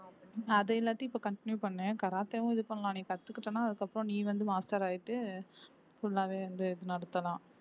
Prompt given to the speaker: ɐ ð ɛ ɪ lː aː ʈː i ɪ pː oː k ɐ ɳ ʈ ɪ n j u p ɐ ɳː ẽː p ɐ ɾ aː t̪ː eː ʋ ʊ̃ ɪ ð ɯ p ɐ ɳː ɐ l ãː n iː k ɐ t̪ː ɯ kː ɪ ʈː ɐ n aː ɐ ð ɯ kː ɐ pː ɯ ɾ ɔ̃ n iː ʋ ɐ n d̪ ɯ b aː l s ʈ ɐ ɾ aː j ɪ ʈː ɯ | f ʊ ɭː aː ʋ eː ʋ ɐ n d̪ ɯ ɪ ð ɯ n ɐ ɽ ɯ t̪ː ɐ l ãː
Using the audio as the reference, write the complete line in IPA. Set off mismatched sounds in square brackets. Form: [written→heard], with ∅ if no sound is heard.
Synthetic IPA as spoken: ɐ ð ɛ ɪ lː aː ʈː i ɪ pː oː k ɐ ɳ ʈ ɪ n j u p ɐ ɳː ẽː [p→k] ɐ ɾ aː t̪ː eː ʋ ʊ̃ ɪ ð ɯ p ɐ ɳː ɐ l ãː n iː k ɐ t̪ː ɯ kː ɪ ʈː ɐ n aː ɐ ð ɯ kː ɐ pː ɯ ɾ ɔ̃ n iː ʋ ɐ n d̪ ɯ [b→m] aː [l→∅] s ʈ ɐ ɾ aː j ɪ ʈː ɯ | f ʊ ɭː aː ʋ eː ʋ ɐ n d̪ ɯ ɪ ð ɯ n ɐ ɽ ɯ t̪ː ɐ l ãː